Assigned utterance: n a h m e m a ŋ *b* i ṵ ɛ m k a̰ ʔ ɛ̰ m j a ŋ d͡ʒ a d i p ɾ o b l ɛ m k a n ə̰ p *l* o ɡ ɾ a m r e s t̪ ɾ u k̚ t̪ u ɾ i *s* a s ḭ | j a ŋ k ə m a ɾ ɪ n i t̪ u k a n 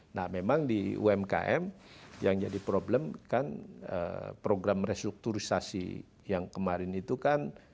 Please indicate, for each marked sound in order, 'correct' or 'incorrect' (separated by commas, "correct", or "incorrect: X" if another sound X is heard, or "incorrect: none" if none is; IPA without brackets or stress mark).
incorrect: d, incorrect: ɾ, correct